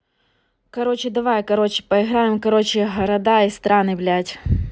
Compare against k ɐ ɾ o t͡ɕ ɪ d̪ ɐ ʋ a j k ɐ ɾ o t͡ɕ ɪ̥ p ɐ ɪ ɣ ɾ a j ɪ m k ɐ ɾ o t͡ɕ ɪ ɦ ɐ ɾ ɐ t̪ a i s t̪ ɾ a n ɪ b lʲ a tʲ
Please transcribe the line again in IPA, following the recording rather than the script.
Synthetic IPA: k ɐ ɾ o t͡ɕ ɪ d̪ ɐ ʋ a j k ɐ ɾ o t͡ɕ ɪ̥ p ɐ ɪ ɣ ɾ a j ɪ m k ɐ ɾ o t͡ɕ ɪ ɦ ɐ ɾ ɐ d̪ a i s t̪ ɾ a n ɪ b lʲ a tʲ